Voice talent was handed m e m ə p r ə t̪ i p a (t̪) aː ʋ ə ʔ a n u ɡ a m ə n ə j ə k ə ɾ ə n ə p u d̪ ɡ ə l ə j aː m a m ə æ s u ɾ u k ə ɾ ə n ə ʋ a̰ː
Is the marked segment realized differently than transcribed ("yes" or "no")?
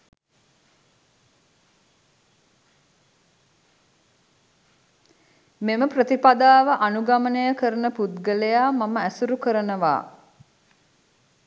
yes